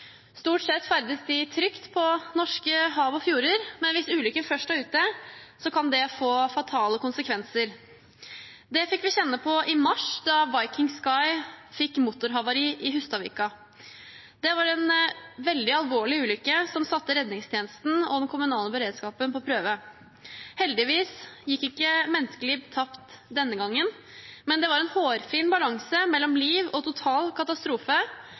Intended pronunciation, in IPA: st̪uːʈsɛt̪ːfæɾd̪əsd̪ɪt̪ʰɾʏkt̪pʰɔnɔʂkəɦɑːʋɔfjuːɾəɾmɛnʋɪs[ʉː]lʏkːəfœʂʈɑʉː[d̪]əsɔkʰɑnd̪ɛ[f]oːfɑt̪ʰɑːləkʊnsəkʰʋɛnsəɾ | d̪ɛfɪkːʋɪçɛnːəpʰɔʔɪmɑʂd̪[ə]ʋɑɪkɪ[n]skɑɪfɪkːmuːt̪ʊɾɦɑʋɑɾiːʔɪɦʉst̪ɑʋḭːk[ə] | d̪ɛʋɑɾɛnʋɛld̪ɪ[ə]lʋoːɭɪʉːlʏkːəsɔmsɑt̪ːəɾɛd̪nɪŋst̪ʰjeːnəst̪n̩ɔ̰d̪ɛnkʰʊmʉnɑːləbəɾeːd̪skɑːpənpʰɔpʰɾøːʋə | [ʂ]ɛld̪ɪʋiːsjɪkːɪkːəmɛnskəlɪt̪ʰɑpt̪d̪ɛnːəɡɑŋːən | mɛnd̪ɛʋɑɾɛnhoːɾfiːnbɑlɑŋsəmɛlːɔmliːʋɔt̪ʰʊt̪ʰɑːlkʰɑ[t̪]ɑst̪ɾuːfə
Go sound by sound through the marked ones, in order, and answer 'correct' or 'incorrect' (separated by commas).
correct, incorrect, correct, incorrect, incorrect, incorrect, incorrect, incorrect, correct